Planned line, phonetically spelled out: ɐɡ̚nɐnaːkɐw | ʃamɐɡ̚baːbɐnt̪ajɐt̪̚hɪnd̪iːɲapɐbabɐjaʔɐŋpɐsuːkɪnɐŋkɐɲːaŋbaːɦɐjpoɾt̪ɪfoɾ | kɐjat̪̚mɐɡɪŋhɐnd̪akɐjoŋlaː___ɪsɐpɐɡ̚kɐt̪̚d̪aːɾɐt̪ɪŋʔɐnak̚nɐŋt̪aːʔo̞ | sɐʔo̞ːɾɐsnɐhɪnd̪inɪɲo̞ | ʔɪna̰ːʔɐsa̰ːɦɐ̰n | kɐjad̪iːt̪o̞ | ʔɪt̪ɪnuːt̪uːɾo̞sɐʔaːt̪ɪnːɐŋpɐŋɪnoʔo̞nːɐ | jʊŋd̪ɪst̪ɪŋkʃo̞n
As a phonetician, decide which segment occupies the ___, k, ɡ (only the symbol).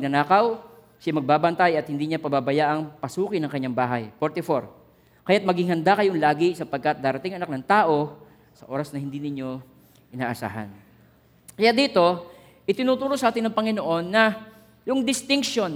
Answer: ɡ